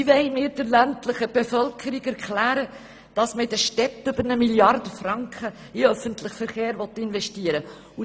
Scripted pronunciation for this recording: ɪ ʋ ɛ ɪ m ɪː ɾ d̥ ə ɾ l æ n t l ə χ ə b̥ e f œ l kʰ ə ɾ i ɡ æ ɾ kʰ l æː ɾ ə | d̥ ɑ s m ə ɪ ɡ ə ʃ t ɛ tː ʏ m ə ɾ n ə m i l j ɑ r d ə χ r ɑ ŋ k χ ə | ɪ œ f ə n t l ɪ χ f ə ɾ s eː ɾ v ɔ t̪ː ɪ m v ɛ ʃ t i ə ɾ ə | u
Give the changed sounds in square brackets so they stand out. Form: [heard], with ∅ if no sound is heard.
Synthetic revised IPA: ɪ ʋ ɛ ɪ m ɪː ɾ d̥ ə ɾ l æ n t l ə χ ə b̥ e f œ l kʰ ə ɾ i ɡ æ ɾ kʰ l æː ɾ ə | d̥ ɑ s m ə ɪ [d] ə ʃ t ɛ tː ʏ [b] ə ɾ n ə m i l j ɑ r d ə [f] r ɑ ŋ k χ ə | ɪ œ f ə n t l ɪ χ f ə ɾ [χ] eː ɾ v ɔ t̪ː ɪ [n] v ɛ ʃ t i ə ɾ ə | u